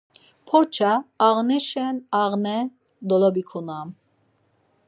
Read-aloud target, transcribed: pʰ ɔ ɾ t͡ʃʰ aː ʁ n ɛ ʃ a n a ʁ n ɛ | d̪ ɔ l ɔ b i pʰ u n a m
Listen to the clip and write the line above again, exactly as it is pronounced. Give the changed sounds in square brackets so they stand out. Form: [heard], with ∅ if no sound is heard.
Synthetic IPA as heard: pʰ ɔ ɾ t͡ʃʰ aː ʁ n ɛ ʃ [ɛ] n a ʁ n ɛ | d̪ ɔ l ɔ b i [kʰ] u n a m